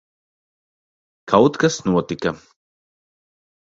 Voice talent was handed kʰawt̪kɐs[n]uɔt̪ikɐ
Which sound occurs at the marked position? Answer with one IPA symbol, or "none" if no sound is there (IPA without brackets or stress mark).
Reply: n